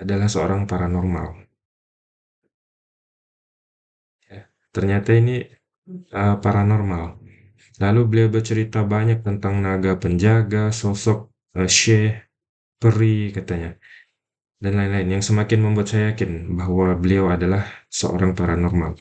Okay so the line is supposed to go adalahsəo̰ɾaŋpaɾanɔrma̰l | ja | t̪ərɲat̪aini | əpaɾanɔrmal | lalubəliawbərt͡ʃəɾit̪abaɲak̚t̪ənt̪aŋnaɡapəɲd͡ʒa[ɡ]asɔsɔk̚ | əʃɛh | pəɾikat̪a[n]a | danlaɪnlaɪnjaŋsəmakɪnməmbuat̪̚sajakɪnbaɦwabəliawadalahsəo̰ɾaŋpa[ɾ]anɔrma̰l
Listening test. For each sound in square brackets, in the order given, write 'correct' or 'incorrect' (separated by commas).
correct, incorrect, correct